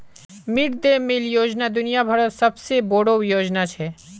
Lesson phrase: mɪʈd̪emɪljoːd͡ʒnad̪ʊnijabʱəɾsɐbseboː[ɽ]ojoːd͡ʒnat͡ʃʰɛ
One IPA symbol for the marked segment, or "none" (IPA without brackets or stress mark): ɽ